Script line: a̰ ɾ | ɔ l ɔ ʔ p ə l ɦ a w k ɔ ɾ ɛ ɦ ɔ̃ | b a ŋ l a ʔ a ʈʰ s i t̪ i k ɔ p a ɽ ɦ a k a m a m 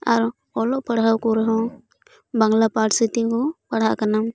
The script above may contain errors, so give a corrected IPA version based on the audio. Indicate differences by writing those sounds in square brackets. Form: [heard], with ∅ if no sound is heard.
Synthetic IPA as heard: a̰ ɾ | ɔ l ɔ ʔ p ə [ɽ] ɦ a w k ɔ ɾ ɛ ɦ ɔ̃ | b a ŋ l a [p] a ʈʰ s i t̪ i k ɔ p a ɽ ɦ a k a [n] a m